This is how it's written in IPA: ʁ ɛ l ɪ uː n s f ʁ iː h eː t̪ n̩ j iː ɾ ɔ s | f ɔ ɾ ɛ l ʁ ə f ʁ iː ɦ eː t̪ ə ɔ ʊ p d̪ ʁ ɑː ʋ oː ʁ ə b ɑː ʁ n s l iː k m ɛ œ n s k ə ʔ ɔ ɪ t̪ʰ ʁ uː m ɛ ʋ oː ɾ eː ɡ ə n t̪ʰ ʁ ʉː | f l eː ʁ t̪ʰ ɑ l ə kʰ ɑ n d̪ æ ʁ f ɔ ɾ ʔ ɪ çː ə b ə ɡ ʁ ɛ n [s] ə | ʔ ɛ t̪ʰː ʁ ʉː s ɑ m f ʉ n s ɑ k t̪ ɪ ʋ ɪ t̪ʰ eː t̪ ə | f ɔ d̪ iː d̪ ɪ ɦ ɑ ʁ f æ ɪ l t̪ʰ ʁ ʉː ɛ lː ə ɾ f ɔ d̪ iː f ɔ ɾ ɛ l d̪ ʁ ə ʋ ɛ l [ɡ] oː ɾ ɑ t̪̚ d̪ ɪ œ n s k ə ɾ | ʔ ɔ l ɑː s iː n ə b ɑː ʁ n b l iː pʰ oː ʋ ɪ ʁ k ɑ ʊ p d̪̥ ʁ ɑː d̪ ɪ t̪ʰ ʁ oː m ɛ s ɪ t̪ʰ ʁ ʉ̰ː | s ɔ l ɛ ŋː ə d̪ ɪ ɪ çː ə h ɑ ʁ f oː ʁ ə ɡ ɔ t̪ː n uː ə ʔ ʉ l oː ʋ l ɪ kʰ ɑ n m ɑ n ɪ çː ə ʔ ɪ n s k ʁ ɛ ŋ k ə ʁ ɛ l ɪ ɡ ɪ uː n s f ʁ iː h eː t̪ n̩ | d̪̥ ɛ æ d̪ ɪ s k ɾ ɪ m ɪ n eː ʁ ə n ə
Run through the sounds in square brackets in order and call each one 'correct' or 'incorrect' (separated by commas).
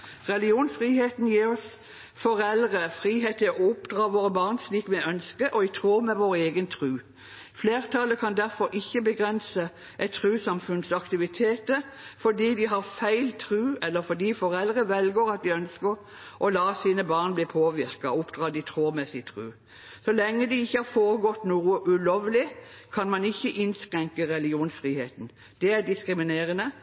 correct, correct